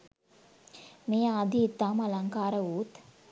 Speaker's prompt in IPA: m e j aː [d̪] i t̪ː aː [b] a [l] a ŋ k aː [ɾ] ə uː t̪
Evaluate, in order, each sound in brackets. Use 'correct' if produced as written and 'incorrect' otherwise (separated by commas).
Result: correct, incorrect, correct, correct